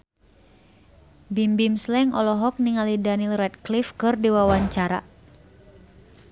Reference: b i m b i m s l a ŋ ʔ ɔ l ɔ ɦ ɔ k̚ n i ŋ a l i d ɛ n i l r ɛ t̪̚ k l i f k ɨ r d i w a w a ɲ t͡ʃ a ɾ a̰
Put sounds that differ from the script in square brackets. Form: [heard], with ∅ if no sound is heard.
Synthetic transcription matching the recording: b i m b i m s l [ɛ] ŋ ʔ ɔ l ɔ ɦ ɔ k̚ n i ŋ a l i d [a] n i l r ɛ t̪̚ k l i f k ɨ r d i w a w a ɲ t͡ʃ a ɾ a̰